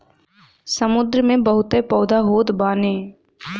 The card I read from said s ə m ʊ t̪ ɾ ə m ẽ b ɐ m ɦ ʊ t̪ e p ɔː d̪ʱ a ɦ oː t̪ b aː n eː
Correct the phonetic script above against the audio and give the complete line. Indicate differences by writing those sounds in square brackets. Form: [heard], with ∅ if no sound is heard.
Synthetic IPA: s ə m ʊ [d̪] ɾ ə m ẽ b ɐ [∅] ɦ ʊ t̪ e p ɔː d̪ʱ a ɦ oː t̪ b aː n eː